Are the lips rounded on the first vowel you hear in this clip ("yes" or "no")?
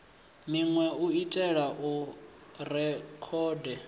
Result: no